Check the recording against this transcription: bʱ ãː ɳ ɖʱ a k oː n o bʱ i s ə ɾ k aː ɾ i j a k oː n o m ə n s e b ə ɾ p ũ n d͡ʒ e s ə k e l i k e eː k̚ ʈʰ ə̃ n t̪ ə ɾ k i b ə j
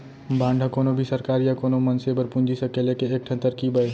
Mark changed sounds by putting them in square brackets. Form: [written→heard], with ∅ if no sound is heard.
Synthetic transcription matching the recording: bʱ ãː ɳ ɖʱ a k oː n o bʱ i s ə ɾ k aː ɾ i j a k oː n o m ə n s e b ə ɾ p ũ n d͡ʒ [e→i] s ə k e l [i→e] k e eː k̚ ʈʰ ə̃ n t̪ ə ɾ k i b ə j